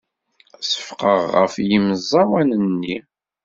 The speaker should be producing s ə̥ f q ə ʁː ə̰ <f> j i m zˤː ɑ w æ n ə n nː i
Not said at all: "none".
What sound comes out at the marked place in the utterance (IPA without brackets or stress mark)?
f